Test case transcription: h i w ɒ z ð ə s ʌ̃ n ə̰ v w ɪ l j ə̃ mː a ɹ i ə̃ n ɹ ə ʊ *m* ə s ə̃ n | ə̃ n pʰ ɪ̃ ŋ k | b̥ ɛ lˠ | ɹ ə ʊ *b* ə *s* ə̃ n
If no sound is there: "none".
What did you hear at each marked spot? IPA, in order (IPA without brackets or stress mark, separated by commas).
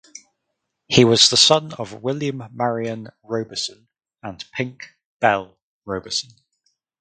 b, b, s